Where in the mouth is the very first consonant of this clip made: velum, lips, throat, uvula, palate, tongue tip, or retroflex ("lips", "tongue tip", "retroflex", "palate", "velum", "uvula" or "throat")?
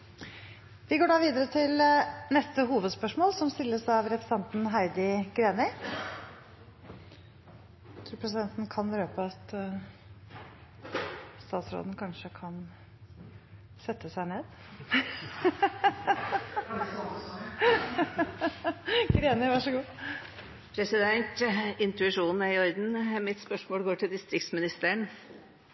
lips